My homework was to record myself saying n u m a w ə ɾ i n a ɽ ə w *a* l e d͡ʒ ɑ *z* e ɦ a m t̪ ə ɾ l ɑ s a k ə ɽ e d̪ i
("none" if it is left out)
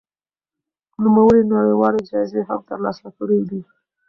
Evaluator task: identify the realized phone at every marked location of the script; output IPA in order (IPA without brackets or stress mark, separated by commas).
ɑ, z